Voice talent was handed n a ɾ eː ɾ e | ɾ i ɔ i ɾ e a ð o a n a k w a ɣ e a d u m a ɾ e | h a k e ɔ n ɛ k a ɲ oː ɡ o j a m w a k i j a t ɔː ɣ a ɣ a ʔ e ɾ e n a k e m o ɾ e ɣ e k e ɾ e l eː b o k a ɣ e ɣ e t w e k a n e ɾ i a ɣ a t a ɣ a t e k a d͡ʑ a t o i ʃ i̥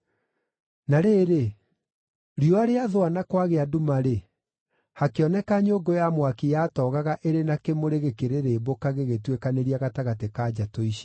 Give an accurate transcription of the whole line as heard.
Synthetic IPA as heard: n a ɾ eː ɾ e | ɾ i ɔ a ɾ e a ð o a n a k w a ɣ e a d u m a ɾ e | h a k e ɔ n ɛ k a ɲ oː ɡ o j a m w a k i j a t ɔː ɣ a ɣ a ʔ e ɾ e n a k e m o ɾ e ɣ e k e ɾ e ɾ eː b o k a ɣ e ɣ e t w e k a n e ɾ i a ɣ a t a ɣ a t e k a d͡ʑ a t o i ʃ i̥